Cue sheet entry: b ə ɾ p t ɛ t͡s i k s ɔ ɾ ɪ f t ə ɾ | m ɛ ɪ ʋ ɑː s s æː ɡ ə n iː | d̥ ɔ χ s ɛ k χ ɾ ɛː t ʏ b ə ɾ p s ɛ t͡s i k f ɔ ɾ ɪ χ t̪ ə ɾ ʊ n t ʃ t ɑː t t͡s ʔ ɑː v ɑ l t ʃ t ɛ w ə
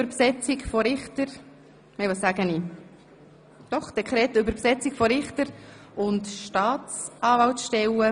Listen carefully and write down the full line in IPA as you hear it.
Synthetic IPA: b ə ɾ p s ɛ t͡s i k f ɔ ɾ ɪ χ t ə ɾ | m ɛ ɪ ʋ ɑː s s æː ɡ ə n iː | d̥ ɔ χ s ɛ k χ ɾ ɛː t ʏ b ə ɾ p s ɛ t͡s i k f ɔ ɾ ɪ χ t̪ ə ɾ ʊ n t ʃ t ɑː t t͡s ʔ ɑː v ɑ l t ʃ t ɛ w ə